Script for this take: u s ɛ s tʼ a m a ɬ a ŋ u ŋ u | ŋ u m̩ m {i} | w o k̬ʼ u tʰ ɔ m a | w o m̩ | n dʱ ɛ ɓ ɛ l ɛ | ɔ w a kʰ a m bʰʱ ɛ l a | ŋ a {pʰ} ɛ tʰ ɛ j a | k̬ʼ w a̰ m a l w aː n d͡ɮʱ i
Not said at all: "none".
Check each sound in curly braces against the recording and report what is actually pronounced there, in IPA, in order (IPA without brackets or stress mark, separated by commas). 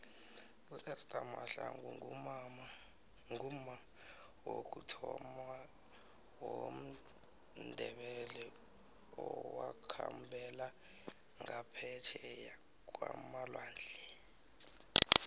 a, pʰ